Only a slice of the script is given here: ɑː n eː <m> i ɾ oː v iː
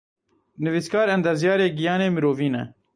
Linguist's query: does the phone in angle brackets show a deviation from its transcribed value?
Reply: no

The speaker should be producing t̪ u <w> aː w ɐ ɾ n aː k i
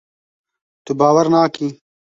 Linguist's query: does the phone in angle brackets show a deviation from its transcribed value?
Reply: yes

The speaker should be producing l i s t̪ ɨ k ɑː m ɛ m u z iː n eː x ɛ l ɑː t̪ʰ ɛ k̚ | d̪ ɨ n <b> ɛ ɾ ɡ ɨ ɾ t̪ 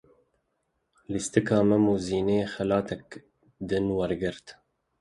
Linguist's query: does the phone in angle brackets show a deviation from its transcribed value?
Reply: yes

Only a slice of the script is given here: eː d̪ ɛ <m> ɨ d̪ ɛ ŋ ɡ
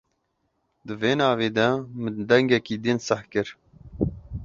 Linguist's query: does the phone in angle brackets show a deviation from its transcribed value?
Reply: no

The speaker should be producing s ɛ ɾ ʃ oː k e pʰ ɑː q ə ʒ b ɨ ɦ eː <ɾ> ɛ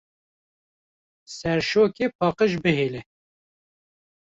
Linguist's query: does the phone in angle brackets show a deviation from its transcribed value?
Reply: yes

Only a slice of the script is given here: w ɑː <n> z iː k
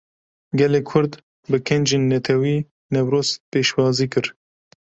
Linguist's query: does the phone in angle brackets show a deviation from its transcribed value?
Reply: yes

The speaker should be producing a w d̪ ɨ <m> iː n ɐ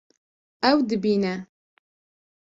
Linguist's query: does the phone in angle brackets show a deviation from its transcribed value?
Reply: yes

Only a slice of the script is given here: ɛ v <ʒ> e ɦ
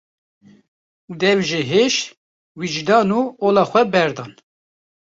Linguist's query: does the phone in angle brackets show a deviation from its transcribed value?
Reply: no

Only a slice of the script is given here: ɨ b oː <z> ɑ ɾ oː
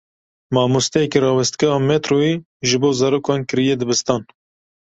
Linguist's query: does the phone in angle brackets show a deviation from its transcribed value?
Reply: no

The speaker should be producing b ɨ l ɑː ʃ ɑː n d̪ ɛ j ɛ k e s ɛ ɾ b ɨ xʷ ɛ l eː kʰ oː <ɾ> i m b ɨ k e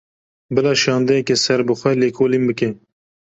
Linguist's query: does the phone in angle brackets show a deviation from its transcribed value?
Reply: yes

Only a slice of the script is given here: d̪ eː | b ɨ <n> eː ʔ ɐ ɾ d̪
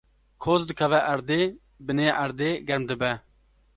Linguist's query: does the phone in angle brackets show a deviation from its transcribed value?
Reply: no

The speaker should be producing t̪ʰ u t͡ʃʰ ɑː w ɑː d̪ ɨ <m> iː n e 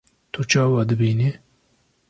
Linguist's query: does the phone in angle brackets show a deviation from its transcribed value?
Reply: yes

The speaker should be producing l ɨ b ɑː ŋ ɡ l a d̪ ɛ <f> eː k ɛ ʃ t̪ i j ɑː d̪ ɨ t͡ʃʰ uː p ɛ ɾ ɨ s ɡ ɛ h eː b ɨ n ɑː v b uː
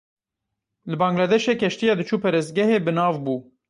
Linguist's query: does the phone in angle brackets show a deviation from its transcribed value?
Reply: yes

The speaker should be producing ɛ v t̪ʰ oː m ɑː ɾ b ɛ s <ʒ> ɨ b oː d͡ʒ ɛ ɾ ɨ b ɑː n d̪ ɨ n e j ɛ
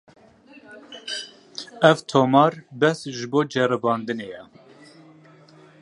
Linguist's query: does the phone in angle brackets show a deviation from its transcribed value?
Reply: no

